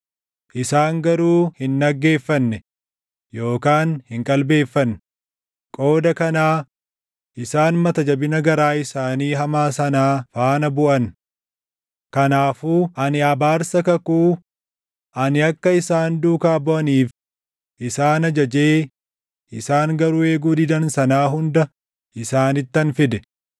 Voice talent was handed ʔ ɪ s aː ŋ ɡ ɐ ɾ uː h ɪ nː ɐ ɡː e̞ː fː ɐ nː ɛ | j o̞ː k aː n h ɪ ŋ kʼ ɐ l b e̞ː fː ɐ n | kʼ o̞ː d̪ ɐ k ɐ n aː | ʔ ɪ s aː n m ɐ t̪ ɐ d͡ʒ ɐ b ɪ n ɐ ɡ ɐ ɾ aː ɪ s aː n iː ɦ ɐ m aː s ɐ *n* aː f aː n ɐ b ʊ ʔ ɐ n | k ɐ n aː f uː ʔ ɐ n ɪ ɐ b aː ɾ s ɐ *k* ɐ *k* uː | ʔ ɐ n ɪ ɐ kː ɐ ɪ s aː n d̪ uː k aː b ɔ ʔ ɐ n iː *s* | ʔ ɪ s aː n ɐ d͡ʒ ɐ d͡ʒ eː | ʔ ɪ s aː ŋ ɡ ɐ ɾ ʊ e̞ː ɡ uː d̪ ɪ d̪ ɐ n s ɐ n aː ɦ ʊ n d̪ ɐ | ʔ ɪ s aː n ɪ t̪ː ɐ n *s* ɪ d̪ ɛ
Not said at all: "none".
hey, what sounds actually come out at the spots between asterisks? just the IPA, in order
n, k, k, f, f

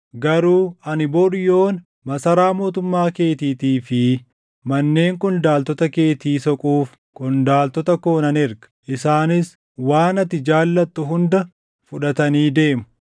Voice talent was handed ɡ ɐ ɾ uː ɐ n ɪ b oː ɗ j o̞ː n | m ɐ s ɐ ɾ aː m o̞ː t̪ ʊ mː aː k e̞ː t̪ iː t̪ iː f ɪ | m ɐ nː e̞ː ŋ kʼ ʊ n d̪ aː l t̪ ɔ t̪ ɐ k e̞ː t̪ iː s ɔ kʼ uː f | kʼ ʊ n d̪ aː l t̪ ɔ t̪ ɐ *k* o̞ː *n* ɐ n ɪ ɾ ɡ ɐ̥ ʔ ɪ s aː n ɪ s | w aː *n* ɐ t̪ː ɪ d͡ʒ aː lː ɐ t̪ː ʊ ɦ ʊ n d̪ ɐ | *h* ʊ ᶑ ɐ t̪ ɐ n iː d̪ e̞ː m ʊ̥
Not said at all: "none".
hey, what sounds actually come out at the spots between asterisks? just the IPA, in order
k, n, n, f

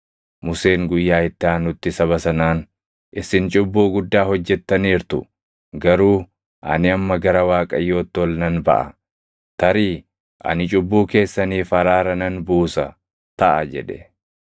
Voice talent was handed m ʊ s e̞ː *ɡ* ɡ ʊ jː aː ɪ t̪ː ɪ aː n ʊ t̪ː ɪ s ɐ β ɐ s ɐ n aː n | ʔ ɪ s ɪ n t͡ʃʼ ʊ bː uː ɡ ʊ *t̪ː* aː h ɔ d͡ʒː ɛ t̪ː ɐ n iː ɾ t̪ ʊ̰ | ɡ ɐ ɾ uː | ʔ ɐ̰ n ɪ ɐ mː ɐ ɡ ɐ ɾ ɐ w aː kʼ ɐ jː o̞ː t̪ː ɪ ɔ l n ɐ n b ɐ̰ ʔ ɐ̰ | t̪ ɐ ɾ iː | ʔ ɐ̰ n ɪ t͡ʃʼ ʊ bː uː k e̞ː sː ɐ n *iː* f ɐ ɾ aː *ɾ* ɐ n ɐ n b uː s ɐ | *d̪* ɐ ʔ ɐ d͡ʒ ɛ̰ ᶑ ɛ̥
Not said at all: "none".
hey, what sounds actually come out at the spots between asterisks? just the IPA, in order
ŋ, d̪ː, iː, ɾ, t̪

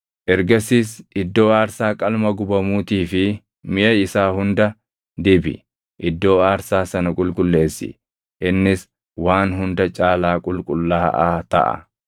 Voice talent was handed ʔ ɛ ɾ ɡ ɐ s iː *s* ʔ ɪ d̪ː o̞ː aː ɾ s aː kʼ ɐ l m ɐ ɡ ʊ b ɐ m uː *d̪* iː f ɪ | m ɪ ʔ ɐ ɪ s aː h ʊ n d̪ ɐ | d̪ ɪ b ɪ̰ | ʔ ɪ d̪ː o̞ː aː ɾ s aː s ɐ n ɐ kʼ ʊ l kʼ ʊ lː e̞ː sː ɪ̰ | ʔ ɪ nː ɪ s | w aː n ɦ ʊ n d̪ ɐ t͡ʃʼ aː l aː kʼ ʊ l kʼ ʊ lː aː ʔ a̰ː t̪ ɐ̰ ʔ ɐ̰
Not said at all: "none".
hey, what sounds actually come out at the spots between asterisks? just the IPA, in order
s, t̪

